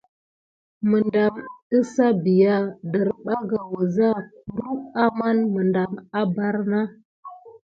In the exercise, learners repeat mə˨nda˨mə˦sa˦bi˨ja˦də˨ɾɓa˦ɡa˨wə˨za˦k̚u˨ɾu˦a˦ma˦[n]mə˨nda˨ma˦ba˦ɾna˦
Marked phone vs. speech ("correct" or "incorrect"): correct